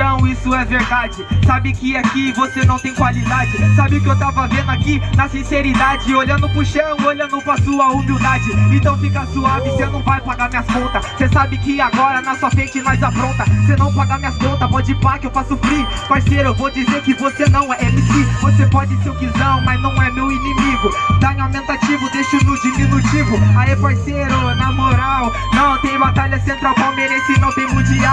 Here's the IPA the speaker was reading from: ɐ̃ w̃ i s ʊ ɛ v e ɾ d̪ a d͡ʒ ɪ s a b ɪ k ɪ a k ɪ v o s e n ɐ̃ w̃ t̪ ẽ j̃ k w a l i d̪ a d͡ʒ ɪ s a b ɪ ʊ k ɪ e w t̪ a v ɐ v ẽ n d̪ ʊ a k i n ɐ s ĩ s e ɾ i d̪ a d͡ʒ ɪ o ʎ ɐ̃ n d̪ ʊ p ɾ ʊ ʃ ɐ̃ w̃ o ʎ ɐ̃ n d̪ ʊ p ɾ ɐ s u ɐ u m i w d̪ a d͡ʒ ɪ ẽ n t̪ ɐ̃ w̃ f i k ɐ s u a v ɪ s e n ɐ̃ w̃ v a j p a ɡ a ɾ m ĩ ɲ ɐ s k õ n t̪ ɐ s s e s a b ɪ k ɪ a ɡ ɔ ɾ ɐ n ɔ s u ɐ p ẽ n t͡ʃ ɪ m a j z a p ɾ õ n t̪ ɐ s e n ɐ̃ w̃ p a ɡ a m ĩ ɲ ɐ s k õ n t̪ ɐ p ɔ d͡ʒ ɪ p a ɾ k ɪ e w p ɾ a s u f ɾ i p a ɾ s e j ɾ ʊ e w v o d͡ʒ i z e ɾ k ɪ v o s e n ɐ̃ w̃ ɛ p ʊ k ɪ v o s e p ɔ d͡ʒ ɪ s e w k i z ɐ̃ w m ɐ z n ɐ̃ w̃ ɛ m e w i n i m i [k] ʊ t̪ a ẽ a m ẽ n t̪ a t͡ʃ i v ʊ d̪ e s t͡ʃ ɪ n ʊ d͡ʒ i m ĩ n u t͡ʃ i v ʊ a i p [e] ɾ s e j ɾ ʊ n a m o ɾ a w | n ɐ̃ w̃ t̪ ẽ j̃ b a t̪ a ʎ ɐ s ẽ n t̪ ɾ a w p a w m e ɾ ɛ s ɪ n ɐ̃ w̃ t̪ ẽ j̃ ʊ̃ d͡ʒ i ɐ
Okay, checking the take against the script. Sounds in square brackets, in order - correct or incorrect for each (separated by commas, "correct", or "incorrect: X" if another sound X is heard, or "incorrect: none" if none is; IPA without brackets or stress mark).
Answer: incorrect: ɡ, incorrect: a